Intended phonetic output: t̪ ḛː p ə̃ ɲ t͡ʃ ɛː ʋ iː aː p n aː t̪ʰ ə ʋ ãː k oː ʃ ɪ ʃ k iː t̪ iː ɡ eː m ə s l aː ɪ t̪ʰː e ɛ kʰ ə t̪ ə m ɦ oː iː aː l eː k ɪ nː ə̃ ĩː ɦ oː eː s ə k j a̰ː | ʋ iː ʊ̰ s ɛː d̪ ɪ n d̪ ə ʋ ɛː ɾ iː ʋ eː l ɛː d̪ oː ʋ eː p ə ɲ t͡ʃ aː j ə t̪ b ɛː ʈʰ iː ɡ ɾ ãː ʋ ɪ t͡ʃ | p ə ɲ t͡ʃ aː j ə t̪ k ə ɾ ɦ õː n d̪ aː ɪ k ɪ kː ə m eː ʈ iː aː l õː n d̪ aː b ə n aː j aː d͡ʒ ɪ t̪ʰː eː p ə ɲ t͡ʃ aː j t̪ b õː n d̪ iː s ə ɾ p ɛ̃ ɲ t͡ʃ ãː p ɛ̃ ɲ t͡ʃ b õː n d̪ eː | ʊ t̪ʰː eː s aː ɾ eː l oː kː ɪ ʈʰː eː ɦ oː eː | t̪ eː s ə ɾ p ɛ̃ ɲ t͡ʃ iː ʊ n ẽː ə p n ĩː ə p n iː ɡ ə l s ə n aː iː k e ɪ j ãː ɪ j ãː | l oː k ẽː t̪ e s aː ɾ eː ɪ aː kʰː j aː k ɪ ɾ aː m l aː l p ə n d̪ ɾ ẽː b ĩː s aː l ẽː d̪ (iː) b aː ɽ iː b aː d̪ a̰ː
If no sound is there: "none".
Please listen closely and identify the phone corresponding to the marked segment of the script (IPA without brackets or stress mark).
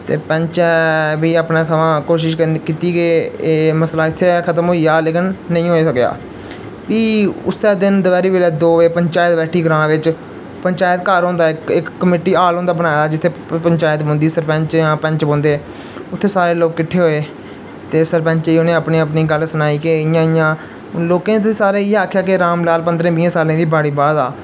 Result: iː